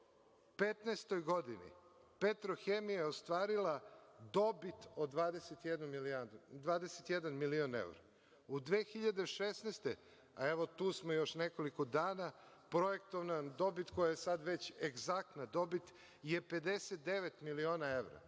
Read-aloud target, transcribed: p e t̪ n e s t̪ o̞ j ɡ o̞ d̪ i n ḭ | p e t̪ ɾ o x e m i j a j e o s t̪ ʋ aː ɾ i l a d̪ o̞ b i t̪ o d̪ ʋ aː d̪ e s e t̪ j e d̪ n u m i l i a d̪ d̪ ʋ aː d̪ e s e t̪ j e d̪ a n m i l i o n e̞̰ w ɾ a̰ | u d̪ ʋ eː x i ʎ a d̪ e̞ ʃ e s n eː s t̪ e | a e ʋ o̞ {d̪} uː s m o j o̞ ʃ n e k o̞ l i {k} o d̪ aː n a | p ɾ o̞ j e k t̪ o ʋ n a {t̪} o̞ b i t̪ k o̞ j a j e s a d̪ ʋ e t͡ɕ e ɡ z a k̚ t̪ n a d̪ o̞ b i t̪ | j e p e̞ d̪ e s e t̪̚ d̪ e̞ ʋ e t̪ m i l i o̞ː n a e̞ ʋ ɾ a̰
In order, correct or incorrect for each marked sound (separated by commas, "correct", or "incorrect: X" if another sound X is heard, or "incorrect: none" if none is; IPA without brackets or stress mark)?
incorrect: t̪, correct, incorrect: d̪